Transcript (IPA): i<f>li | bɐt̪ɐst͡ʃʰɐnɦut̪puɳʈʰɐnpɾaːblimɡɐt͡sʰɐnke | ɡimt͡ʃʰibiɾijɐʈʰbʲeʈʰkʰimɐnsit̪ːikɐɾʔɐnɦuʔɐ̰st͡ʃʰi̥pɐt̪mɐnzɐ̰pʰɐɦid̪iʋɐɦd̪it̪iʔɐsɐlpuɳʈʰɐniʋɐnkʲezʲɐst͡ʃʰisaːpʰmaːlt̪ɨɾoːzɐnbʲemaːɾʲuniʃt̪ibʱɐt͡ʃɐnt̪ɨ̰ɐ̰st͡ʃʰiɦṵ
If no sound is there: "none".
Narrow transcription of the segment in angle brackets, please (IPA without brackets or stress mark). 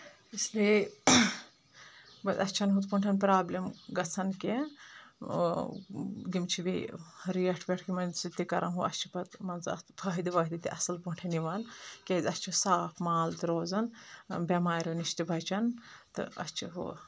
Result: s